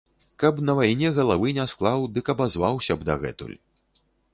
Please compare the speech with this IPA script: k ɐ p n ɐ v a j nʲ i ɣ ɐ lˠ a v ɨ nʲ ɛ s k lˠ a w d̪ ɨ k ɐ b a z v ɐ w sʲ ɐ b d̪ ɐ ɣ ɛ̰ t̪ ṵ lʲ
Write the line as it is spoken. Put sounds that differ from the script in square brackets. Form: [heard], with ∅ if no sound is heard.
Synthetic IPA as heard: k ɐ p n ɐ v a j nʲ [ɛ] ɣ ɐ lˠ a v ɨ nʲ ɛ s k lˠ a w d̪ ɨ k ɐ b a z v [a] w sʲ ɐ b d̪ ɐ ɣ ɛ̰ t̪ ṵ lʲ